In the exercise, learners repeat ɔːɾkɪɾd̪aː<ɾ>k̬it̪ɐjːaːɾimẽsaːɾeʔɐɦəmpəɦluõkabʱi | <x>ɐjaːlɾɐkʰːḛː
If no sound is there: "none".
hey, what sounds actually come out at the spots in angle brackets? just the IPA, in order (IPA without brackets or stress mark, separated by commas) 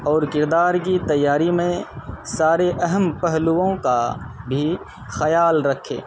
ɾ, x